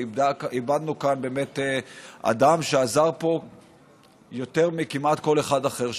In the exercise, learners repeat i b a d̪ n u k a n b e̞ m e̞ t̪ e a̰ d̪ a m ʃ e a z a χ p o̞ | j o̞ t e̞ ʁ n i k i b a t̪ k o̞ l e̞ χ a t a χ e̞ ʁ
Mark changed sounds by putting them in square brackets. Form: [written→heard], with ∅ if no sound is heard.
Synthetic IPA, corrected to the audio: i b a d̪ n u k a n b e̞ m e̞ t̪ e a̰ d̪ a m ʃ e a z a [χ→ʁ] p o̞ | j o̞ t e̞ ʁ [n→m] i k i [b→m] a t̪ k o̞ l e̞ χ a [t→d] a χ e̞ ʁ